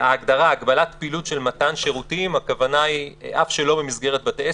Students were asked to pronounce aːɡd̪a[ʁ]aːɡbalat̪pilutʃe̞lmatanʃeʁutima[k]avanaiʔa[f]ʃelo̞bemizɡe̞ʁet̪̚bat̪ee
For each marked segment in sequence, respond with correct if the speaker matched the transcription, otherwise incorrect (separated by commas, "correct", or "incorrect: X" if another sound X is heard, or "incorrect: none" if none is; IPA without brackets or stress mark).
correct, correct, correct